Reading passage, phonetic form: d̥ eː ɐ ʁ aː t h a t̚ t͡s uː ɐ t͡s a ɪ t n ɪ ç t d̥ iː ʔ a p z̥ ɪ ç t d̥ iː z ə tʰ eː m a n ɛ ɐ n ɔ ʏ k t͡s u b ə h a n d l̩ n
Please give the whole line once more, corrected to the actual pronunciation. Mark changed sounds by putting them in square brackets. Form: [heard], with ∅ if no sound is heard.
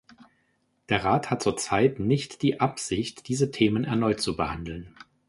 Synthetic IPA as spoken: d̥ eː ɐ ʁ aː t h a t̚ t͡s uː ɐ t͡s a ɪ t n ɪ ç t d̥ iː ʔ a p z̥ ɪ ç t d̥ iː z ə tʰ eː m [ə] n ɛ ɐ n ɔ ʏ [t] t͡s u b ə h a n d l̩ n

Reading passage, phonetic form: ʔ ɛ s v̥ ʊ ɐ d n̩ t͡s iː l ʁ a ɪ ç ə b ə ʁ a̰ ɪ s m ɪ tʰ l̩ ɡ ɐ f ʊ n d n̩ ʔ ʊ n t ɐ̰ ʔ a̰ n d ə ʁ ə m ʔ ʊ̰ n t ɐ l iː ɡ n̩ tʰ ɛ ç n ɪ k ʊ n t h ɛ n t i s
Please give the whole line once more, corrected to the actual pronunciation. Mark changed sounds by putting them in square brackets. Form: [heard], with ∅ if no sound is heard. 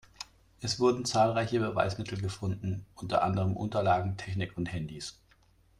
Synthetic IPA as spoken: ʔ ɛ s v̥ ʊ ɐ d n̩ t͡s [aː] l ʁ a ɪ ç ə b ə [v] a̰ ɪ s m ɪ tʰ l̩ ɡ [ə] f ʊ n d n̩ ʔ ʊ n t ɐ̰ ʔ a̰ n d ə ʁ ə m ʔ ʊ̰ n t ɐ l [aː] ɡ [ŋ̩] tʰ ɛ ç n ɪ k ʊ n t h ɛ n [d] i s

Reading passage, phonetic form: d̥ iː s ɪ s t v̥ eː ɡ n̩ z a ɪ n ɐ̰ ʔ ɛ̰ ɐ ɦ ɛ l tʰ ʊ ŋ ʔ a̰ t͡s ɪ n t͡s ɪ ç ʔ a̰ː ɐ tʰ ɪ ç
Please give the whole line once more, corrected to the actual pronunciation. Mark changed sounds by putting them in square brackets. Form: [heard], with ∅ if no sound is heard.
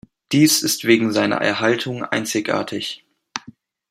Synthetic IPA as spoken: d̥ iː s ɪ s t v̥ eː ɡ [ŋ̩] z a ɪ n ɐ̰ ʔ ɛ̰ ɐ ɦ [a] l tʰ ʊ ŋ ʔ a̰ [∅] ɪ n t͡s ɪ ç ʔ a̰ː ɐ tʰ ɪ ç

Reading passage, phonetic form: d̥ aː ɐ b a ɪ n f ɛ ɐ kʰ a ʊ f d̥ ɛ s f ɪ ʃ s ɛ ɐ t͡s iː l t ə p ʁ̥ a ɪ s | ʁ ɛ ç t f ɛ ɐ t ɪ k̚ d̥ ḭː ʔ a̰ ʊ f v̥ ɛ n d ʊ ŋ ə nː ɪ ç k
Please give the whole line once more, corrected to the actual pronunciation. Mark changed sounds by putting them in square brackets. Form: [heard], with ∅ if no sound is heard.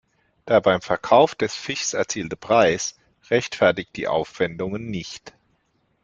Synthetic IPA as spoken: d̥ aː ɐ b a ɪ [m] f ɛ ɐ kʰ a ʊ f d̥ ɛ s f ɪ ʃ s ɛ ɐ t͡s iː l t ə p ʁ̥ a ɪ s | ʁ ɛ ç t f ɛ ɐ t ɪ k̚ d̥ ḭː ʔ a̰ ʊ f v̥ ɛ n d ʊ ŋ ə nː ɪ ç [t]

